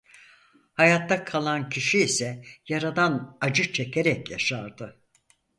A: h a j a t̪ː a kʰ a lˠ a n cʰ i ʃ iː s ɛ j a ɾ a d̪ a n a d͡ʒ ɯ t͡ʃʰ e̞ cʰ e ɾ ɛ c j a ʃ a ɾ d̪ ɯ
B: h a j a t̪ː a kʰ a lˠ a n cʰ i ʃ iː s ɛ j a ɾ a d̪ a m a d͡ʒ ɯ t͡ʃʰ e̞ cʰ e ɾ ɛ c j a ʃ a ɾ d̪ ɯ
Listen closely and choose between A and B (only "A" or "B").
A